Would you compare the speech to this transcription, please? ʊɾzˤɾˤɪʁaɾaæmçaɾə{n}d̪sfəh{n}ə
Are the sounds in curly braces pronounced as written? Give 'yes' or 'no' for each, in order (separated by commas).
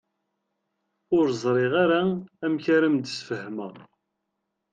no, no